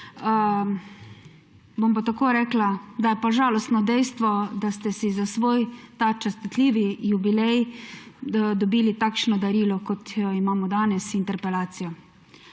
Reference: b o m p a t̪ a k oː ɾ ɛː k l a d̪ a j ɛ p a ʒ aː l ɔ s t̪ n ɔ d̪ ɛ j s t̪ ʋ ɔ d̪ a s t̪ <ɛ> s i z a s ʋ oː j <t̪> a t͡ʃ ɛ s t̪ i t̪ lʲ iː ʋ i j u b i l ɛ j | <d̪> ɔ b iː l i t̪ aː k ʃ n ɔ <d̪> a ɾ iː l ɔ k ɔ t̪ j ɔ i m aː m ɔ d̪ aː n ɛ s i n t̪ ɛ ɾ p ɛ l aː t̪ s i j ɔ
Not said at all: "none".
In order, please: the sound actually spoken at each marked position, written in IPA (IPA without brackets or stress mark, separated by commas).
ɛ, t̪, d̪, d̪